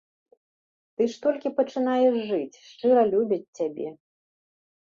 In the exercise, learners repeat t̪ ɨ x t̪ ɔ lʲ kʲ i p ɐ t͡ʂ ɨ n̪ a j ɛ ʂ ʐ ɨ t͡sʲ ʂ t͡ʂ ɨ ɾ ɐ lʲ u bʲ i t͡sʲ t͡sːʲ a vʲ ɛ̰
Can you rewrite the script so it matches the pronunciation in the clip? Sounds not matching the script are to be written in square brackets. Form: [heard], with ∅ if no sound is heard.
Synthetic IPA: t̪ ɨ [ʂ] t̪ ɔ lʲ kʲ i p ɐ t͡ʂ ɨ n̪ a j ɛ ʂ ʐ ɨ t͡sʲ ʂ t͡ʂ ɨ ɾ ɐ lʲ u bʲ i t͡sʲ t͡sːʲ a [bʲ] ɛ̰

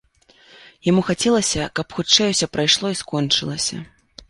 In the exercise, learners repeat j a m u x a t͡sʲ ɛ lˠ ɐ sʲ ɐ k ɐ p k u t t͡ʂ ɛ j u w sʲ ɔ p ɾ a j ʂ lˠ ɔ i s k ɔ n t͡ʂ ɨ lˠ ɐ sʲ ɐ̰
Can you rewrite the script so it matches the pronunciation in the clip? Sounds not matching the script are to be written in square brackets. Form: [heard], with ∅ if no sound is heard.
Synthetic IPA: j a m u x a t͡sʲ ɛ lˠ ɐ sʲ ɐ k ɐ p [x] u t t͡ʂ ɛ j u w sʲ ɔ p ɾ a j ʂ lˠ ɔ i s k ɔ n t͡ʂ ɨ lˠ ɐ sʲ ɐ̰

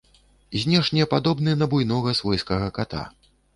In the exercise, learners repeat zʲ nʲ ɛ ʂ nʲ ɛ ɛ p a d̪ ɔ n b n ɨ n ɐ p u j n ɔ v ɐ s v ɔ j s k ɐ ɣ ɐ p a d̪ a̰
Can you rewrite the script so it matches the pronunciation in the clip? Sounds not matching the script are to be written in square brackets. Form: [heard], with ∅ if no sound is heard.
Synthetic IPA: zʲ nʲ ɛ ʂ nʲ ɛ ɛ p a d̪ ɔ [∅] b n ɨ n ɐ [b] u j n ɔ [ɣ] ɐ s v ɔ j s k ɐ ɣ ɐ [k] a [t̪] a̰

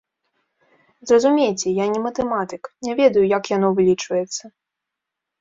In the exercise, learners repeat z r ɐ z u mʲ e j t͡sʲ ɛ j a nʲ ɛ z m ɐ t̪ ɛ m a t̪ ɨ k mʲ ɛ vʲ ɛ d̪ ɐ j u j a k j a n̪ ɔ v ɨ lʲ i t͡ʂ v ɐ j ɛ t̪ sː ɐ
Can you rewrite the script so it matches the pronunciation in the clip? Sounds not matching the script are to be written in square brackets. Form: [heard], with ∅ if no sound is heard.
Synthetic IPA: z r ɐ z u mʲ e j t͡sʲ ɛ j a nʲ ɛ [∅] m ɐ t̪ ɛ m a t̪ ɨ k [nʲ] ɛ vʲ ɛ d̪ ɐ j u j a k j a n̪ ɔ v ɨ lʲ i t͡ʂ v ɐ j ɛ t̪ sː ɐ

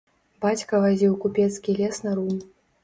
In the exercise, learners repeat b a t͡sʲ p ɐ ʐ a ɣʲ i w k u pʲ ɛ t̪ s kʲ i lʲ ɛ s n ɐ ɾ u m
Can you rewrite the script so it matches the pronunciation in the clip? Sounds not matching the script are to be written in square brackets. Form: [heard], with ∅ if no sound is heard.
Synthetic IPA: b a t͡sʲ [k] ɐ [v] a [zʲ] i w k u pʲ ɛ t̪ s kʲ i lʲ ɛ s n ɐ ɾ u m

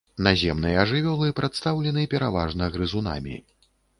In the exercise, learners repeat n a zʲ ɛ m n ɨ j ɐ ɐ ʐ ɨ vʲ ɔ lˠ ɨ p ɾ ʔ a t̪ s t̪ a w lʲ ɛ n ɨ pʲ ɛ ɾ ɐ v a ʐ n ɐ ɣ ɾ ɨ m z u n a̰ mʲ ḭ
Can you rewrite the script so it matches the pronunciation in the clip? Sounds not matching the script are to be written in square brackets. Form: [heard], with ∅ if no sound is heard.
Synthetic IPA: n a zʲ ɛ m n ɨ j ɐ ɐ ʐ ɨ vʲ ɔ lˠ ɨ p ɾ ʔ a t̪ s t̪ a w lʲ ɛ n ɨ pʲ ɛ ɾ [a] v a ʐ n ɐ ɣ ɾ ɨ [∅] z u n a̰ mʲ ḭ

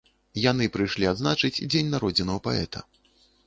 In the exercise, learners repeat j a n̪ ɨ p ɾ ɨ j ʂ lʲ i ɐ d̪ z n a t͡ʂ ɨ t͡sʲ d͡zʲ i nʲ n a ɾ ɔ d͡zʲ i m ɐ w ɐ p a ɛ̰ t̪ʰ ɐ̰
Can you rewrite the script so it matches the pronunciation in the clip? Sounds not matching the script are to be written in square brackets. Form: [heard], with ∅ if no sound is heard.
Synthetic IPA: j a n̪ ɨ p ɾ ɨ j ʂ lʲ i [a] d̪ z n a t͡ʂ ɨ t͡sʲ d͡zʲ [e] nʲ n a ɾ ɔ d͡zʲ i [n] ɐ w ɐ p a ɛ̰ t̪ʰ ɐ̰

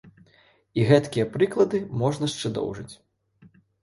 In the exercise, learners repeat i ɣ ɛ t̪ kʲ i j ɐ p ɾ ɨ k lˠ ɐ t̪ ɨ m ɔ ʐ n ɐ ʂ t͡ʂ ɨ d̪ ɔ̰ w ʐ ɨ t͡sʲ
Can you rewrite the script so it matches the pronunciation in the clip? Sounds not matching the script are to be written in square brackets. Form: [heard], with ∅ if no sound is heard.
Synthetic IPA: i ɣ ɛ t̪ kʲ i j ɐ p ɾ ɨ k lˠ ɐ [d̪] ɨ m ɔ ʐ n ɐ ʂ t͡ʂ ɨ d̪ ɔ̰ w ʐ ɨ t͡sʲ

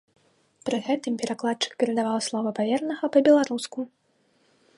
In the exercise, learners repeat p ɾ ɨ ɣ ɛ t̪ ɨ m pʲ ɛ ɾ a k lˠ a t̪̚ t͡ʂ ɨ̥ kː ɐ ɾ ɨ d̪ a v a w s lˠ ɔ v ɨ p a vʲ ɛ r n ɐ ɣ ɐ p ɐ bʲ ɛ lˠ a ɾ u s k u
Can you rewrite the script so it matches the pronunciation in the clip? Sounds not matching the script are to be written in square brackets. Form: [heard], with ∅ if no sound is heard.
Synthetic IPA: p ɾ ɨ ɣ ɛ t̪ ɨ m pʲ ɛ ɾ a k lˠ a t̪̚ t͡ʂ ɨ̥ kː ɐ ɾ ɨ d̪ a v a w s lˠ ɔ v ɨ p a vʲ ɛ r n ɐ ɣ ɐ p ɐ bʲ ɛ lˠ a ɾ u s k u

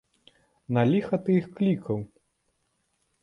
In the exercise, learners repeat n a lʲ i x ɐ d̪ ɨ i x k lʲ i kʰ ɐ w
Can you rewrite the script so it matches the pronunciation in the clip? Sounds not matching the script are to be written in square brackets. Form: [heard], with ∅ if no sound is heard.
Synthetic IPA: n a lʲ i x ɐ [t̪] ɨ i x k lʲ i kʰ ɐ w

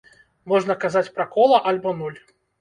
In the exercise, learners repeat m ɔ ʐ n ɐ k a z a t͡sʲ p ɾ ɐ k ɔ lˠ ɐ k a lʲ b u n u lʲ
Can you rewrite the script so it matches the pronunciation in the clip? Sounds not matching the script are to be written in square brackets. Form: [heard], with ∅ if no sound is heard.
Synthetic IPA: m ɔ ʐ n ɐ k a z a t͡sʲ p ɾ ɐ k ɔ lˠ ɐ [ʔ] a lʲ b [ɔ] n u lʲ

